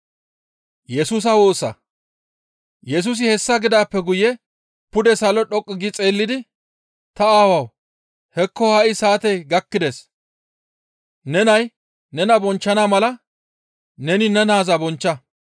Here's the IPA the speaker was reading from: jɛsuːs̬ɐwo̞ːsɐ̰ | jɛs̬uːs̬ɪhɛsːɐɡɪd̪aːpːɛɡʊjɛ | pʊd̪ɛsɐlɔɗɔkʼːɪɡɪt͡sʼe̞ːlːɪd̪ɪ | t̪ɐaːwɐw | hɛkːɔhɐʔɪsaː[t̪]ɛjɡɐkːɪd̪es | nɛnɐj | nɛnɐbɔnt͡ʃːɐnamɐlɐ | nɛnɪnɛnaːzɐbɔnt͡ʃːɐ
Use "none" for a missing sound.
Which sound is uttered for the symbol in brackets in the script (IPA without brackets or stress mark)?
t̪